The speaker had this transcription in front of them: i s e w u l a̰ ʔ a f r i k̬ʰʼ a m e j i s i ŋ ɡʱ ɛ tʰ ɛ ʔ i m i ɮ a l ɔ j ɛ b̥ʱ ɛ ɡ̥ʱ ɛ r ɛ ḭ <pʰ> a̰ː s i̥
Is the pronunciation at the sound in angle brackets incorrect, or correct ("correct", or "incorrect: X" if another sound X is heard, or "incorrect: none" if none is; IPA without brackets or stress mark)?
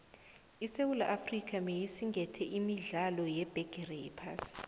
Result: correct